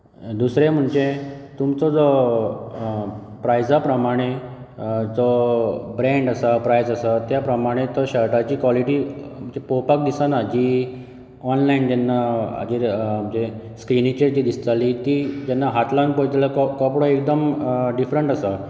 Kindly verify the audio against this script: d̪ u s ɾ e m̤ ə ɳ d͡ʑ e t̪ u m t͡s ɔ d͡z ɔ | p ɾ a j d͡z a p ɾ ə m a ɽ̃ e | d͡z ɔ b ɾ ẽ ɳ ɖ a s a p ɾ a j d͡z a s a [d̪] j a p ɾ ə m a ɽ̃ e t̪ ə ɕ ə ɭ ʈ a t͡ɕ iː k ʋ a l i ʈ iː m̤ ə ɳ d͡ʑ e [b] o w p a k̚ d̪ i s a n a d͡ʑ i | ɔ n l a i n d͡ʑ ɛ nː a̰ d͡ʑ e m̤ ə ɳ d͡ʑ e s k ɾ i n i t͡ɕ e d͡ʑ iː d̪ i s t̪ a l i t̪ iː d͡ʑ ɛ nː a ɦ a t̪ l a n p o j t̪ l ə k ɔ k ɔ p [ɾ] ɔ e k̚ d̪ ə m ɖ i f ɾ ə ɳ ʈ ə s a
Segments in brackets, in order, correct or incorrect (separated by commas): incorrect, incorrect, incorrect